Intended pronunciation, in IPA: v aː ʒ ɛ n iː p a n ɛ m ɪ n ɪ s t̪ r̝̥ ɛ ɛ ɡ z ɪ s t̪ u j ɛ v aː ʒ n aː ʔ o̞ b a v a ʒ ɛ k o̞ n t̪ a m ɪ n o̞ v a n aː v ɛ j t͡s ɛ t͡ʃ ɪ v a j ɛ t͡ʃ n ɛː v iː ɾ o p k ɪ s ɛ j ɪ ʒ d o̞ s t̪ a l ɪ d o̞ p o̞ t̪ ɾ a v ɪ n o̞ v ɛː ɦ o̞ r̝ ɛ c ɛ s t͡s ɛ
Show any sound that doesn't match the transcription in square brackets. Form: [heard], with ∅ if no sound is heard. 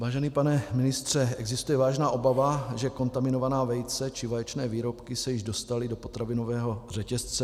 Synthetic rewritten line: v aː ʒ ɛ n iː p a n ɛ m ɪ n ɪ s t̪ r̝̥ ɛ ɛ ɡ z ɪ s t̪ u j ɛ v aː ʒ n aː ʔ o̞ b a v a ʒ ɛ k o̞ n t̪ a m ɪ n o̞ v a n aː v ɛ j t͡s ɛ t͡ʃ ɪ v a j ɛ t͡ʃ n ɛː v iː ɾ o p k ɪ s ɛ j ɪ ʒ d o̞ s t̪ a l ɪ d o̞ p o̞ t̪ ɾ a v ɪ n o̞ v ɛː ɦ o̞ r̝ ɛ c ɛ s t͡s ɛ